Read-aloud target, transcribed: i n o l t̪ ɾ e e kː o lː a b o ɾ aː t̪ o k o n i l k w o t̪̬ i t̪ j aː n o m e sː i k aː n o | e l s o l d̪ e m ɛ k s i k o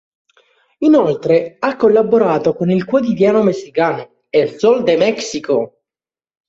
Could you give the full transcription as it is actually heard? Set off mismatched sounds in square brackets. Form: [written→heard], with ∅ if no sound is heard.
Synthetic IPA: i n o l t̪ ɾ e [e→a] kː o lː a b o ɾ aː t̪ o k o n i l k w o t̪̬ i [t̪→d̪] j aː n o m e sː i k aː n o | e l s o l d̪ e m ɛ k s i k o